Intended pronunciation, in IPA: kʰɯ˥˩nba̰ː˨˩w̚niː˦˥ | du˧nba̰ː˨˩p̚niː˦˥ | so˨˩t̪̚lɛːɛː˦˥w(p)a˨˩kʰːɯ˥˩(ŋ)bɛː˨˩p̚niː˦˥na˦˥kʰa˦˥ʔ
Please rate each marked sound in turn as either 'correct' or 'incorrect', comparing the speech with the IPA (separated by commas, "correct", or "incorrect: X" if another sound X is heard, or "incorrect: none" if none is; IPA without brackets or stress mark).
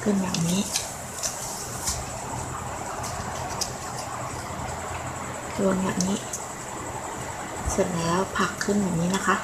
incorrect: pʰ, incorrect: n